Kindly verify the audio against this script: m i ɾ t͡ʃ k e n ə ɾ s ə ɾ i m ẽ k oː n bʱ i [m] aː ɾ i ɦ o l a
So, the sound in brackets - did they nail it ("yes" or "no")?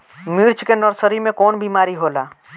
yes